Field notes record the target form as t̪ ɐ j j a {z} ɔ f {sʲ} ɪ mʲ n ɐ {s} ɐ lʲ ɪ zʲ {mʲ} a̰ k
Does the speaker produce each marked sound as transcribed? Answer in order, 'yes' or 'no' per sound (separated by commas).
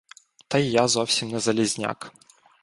yes, yes, no, no